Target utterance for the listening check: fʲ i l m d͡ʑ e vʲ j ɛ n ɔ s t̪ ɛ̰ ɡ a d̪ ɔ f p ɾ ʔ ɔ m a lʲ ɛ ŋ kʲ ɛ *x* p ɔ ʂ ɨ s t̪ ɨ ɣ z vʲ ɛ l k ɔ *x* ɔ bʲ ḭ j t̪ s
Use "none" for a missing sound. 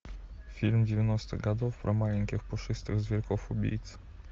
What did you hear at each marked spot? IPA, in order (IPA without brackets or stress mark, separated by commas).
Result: x, f